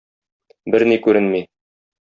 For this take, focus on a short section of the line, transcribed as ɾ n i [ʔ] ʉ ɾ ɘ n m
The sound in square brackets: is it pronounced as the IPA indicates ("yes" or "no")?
no